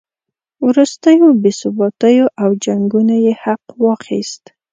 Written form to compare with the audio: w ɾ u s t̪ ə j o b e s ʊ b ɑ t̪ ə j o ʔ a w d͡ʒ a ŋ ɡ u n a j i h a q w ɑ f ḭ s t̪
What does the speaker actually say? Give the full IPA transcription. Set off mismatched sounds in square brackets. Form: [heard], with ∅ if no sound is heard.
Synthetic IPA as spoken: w ɾ u s t̪ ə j o b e s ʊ b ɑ t̪ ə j o ʔ a w d͡ʒ a ŋ ɡ u n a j [e] h a q w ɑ [x] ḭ s t̪